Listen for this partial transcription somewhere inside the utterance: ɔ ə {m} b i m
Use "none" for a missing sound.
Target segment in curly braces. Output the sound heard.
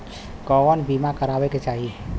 n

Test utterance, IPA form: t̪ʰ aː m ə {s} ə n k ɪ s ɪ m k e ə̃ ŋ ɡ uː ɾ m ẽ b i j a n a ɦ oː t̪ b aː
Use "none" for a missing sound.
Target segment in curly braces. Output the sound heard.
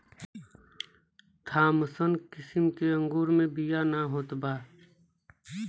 s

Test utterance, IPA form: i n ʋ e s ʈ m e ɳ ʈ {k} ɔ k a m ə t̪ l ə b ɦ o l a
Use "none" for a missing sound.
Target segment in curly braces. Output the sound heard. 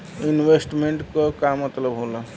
k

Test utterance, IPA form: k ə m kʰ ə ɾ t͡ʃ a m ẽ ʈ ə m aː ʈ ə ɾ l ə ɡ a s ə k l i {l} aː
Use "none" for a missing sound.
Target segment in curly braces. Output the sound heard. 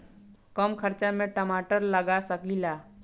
l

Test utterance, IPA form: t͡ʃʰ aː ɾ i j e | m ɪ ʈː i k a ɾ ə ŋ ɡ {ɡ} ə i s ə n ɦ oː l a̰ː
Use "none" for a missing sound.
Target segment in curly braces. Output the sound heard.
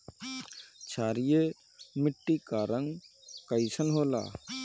k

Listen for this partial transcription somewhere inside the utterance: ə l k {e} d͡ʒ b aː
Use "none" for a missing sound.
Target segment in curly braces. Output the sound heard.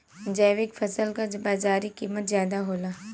a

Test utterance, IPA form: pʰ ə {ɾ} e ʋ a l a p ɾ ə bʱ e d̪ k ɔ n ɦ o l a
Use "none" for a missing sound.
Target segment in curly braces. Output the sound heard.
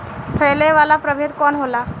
l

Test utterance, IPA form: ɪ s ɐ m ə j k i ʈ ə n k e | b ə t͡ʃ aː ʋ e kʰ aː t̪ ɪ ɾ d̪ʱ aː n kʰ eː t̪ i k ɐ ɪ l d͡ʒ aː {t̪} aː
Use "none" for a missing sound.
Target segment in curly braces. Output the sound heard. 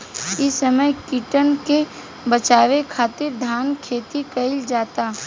t̪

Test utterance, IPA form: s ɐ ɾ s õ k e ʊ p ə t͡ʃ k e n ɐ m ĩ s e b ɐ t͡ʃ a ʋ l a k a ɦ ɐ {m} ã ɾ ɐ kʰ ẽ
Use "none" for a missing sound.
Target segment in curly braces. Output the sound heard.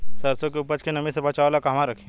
m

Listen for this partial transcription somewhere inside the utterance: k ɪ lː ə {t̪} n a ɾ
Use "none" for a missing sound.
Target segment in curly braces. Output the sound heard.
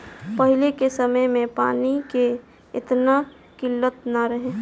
t̪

